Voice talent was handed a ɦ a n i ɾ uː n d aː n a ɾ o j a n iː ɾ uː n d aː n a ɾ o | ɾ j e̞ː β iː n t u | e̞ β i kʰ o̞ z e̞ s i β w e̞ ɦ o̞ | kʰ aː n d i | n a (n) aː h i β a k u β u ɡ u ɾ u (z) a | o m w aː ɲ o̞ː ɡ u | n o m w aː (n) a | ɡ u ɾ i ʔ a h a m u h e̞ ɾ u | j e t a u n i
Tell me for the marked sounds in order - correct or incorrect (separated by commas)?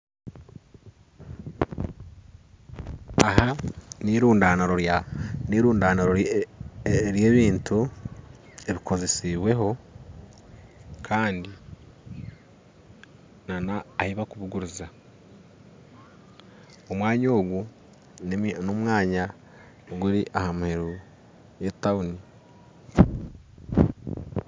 correct, correct, incorrect